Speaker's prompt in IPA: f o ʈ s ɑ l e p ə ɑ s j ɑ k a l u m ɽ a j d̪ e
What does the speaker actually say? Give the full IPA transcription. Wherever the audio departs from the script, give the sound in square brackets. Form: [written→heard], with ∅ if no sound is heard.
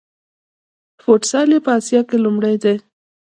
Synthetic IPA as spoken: f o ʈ s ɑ l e p ə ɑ s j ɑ k [a→e] l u m ɽ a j d̪ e